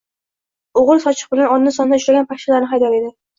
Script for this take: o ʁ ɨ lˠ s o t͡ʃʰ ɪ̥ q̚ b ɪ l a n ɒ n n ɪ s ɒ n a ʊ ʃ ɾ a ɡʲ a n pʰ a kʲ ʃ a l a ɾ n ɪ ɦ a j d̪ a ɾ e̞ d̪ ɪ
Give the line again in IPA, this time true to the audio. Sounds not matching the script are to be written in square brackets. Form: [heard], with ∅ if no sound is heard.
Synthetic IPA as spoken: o ʁ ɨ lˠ s [ɒ] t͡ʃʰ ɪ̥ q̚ b ɪ l a n ɒ n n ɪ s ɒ n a ʊ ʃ ɾ a ɡʲ a n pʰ a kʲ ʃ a l a ɾ n ɪ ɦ a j d̪ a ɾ e̞ d̪ ɪ